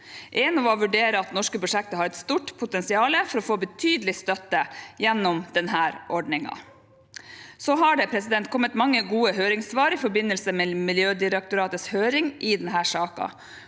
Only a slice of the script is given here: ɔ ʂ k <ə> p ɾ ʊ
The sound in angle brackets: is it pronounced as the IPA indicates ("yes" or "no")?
yes